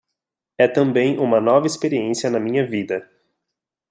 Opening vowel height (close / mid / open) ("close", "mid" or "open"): mid